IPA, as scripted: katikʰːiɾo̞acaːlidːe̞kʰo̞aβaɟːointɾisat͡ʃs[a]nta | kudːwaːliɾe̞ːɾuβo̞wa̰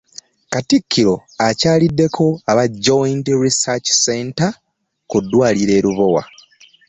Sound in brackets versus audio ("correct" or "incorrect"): incorrect